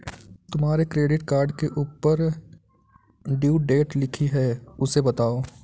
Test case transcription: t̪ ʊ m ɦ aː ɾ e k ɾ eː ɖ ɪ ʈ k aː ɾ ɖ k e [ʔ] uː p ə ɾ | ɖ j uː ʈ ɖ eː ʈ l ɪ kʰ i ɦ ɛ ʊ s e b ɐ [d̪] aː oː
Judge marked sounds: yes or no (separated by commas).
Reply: yes, no